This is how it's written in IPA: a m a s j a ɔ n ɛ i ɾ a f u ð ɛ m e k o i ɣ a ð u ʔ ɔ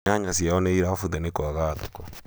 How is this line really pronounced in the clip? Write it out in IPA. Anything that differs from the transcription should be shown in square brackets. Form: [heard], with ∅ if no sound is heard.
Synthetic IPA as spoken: a [ɲ] a s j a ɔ n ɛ i ɾ a f u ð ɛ [n] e k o [a] ɣ a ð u [k] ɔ